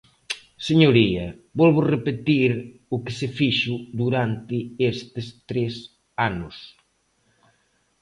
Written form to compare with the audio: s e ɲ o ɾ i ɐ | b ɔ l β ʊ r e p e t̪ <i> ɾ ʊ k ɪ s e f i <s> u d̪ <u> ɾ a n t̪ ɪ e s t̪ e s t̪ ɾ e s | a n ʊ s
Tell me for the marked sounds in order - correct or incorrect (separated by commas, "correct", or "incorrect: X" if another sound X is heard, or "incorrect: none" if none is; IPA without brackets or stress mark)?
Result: correct, incorrect: ʃ, correct